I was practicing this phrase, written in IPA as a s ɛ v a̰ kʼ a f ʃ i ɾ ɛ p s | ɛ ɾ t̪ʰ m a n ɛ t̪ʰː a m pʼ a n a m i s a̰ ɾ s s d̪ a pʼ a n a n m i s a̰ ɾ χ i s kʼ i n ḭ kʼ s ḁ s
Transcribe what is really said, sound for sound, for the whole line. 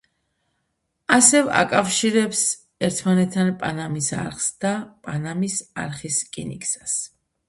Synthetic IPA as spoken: a s ɛ v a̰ kʼ a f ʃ i ɾ ɛ p s | ɛ ɾ t̪ʰ m a n ɛ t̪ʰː a n pʼ a n a m i s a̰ ɾ χ s d̪ a pʼ a n a m i s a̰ ɾ χ i s kʼ i n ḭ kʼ s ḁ s